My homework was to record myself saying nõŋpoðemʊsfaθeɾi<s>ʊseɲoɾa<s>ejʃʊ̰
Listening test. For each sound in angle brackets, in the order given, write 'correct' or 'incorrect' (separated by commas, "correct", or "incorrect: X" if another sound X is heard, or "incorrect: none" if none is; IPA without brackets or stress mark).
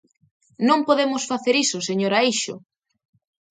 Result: correct, incorrect: none